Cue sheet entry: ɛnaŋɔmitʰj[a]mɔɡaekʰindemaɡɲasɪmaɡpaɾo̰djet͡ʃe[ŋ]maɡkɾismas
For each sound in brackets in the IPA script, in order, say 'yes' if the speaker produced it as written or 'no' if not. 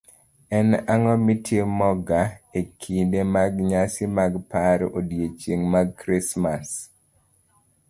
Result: no, yes

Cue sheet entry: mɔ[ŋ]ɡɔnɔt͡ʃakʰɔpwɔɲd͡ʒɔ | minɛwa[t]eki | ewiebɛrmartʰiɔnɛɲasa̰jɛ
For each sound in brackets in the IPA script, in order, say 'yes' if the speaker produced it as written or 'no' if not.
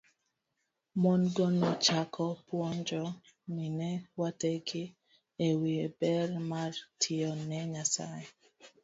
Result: no, yes

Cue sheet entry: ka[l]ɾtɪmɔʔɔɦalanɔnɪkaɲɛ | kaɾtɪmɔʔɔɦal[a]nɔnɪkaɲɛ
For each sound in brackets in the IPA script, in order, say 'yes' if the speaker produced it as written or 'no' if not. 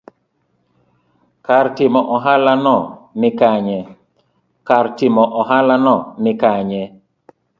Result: no, yes

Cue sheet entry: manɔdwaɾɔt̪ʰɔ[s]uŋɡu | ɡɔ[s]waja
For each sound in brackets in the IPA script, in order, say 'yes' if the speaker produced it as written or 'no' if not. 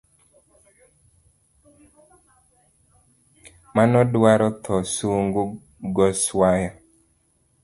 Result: yes, yes

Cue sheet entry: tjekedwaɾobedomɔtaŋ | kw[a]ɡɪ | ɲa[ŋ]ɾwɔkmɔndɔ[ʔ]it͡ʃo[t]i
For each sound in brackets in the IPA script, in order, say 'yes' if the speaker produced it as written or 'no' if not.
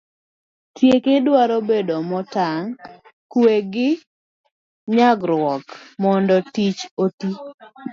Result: no, no, no, yes

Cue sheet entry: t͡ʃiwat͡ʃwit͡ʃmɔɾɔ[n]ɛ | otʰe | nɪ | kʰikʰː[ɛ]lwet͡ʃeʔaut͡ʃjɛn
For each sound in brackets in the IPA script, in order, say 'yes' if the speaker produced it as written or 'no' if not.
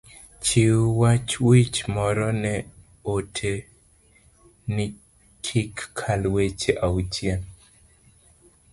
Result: yes, no

